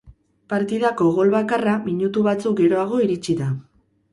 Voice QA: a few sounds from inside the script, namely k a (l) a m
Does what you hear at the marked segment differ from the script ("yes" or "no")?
yes